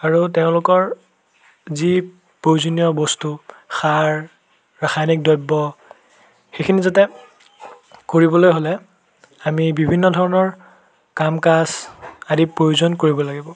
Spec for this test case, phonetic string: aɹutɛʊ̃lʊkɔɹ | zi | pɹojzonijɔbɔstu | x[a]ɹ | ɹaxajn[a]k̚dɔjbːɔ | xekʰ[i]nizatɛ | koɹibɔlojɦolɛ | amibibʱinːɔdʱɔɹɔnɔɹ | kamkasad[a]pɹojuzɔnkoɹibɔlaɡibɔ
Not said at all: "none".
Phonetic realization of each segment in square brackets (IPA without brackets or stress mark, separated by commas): a, i, i, i